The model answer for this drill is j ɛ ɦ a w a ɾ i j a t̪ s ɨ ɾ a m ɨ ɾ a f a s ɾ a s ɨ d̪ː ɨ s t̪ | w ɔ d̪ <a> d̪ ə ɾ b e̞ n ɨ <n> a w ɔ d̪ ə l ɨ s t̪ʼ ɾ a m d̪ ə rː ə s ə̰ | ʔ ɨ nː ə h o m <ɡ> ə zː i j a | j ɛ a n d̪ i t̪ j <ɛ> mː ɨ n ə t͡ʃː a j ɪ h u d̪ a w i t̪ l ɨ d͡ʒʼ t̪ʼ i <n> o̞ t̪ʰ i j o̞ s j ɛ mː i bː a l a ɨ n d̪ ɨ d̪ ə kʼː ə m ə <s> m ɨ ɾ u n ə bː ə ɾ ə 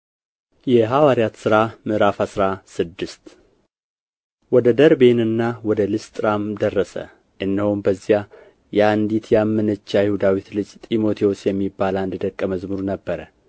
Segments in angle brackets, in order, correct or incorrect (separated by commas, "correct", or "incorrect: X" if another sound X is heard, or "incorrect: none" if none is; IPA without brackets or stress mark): incorrect: ə, incorrect: nː, incorrect: b, incorrect: a, incorrect: m, incorrect: z